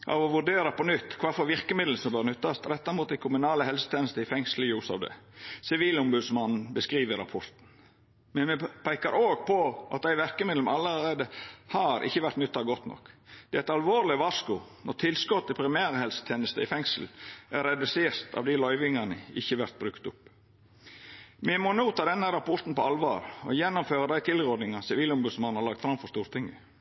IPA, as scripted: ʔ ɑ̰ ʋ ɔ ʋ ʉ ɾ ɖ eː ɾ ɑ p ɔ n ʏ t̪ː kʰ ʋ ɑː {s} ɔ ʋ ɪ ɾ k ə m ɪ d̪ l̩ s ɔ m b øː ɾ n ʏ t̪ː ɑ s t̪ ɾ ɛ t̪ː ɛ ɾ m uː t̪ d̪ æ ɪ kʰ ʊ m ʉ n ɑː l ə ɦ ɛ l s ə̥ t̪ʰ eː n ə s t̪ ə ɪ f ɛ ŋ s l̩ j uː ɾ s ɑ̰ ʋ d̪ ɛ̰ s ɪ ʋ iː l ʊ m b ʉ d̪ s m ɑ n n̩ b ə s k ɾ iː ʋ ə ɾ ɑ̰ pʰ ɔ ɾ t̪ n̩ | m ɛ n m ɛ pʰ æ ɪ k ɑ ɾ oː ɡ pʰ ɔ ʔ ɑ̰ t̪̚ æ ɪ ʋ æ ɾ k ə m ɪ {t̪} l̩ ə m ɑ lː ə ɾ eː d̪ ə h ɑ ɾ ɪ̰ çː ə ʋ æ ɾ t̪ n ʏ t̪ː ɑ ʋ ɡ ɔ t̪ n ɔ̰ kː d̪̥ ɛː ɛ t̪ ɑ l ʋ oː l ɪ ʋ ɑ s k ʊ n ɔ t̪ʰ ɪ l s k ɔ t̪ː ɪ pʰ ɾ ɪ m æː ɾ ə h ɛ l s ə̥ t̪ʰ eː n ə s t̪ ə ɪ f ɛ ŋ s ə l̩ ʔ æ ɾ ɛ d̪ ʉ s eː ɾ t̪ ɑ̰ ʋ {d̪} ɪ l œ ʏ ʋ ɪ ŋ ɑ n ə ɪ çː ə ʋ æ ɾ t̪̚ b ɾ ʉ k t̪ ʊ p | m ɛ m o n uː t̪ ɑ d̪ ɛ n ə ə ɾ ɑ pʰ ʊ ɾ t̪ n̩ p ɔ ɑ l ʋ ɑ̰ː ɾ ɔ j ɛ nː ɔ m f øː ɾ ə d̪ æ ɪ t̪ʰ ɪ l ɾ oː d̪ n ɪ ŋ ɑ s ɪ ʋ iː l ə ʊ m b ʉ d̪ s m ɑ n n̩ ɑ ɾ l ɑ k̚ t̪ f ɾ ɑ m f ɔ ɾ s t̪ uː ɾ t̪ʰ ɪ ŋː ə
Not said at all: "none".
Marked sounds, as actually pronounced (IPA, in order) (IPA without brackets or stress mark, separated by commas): f, d̪, d̪